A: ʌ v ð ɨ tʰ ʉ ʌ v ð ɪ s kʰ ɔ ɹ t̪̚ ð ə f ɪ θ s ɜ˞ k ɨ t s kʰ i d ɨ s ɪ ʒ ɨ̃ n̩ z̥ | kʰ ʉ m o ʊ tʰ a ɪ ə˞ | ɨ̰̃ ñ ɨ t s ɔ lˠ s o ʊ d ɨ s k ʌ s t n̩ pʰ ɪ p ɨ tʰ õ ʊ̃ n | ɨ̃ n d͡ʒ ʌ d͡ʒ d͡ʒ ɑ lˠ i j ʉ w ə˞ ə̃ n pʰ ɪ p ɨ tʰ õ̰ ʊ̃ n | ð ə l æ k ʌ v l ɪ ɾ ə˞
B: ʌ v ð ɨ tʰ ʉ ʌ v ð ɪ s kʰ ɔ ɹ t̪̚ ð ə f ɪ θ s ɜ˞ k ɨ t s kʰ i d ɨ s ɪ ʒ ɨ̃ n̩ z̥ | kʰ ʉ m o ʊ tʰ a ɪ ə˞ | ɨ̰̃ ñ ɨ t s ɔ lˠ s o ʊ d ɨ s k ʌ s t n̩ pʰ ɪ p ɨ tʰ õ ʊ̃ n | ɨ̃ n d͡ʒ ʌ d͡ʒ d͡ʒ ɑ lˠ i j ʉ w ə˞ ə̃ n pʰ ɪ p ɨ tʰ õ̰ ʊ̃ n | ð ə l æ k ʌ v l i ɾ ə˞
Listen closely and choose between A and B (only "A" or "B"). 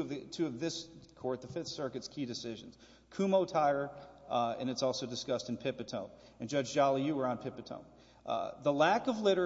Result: A